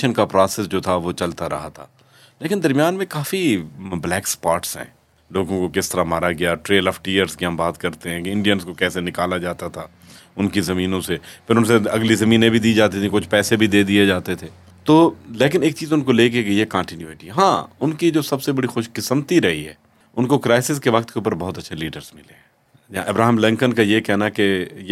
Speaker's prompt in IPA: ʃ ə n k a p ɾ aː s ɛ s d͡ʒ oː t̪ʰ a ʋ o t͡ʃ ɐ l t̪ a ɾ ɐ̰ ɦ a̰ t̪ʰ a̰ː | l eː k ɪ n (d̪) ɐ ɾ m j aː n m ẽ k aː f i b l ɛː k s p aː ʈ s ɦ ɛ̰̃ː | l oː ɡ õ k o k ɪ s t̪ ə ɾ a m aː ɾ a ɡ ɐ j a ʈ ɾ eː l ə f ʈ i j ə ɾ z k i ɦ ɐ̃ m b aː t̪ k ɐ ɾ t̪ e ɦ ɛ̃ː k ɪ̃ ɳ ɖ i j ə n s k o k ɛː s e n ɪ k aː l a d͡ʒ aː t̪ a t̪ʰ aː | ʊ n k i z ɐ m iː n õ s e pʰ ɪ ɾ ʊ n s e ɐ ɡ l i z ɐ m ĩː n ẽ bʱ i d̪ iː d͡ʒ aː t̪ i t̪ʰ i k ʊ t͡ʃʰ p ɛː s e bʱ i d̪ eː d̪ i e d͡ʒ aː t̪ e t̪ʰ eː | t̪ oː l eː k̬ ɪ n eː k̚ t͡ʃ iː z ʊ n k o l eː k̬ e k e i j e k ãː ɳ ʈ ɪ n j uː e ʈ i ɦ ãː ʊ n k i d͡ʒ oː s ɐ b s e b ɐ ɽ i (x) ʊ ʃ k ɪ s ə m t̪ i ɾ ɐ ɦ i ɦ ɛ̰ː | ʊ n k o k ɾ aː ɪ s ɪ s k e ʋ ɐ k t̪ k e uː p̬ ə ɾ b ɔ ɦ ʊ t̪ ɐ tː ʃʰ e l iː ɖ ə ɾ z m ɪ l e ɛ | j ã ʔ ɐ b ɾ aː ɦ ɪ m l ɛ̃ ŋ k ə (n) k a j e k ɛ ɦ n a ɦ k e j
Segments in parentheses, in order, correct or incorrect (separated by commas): correct, correct, correct